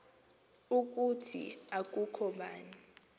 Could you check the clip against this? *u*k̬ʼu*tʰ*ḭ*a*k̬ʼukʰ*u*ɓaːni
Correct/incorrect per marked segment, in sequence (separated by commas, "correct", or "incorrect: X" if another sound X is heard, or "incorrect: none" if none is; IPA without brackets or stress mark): correct, correct, correct, incorrect: ɔ